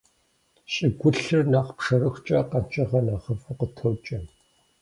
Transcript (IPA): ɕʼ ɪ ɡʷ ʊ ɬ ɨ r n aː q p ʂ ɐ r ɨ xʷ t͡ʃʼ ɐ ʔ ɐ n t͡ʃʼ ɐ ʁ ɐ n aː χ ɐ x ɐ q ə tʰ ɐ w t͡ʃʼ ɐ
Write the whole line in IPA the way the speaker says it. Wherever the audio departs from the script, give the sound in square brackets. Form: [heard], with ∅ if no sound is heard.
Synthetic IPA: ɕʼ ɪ ɡʷ ʊ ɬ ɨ r n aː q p ʂ ɐ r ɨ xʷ t͡ʃʼ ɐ [q] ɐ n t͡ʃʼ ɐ ʁ ɐ n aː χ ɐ [f] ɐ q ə tʰ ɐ w t͡ʃʼ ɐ